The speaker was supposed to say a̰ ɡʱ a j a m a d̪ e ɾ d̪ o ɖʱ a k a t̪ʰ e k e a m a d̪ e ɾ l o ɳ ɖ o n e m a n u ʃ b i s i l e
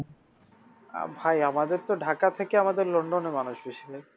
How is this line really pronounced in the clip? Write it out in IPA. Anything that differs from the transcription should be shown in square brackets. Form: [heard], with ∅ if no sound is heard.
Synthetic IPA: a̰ [bʱ] a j a m a d̪ e ɾ [t̪] o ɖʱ a k a t̪ʰ e k e a m a d̪ e ɾ l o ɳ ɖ o n e m a n u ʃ b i [ʃ] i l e